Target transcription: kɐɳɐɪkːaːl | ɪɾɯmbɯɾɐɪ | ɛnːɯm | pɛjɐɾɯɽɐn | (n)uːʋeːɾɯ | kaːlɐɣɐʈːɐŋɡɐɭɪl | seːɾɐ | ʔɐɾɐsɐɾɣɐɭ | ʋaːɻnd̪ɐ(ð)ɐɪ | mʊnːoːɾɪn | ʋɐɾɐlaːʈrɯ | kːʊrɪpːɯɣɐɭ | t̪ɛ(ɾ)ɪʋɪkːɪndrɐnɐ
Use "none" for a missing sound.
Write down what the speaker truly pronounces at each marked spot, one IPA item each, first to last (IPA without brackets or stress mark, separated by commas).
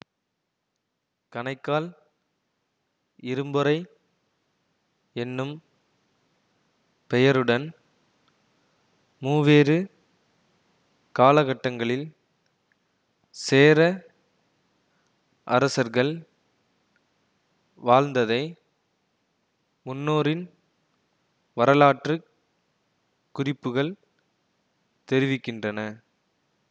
m, ð, ɾ